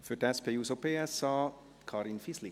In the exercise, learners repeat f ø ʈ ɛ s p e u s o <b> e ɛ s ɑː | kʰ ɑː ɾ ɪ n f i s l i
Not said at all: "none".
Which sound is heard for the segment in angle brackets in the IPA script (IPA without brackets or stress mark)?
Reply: p